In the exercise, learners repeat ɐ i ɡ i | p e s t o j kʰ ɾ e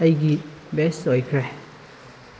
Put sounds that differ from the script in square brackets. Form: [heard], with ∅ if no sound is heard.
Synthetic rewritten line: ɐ [j] ɡ i | [b] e s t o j kʰ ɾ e